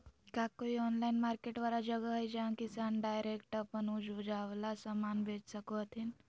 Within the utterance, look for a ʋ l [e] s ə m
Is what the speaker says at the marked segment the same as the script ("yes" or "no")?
no